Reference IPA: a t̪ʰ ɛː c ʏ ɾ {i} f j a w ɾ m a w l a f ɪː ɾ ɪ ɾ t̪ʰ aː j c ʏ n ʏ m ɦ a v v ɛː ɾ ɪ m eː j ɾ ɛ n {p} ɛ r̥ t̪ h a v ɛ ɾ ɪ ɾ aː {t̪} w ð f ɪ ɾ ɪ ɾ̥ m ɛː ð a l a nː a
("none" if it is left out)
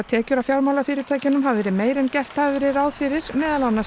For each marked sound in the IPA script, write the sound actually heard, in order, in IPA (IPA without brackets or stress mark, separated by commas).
a, c, none